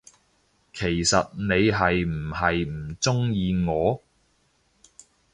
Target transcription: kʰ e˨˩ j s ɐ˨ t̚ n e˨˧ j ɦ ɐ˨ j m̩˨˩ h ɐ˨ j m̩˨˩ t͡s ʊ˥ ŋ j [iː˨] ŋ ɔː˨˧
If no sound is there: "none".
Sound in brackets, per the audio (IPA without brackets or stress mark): iː˨